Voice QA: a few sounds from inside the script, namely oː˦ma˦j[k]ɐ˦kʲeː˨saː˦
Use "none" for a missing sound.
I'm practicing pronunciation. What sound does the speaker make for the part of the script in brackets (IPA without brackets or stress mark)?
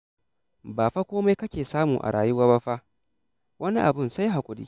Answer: k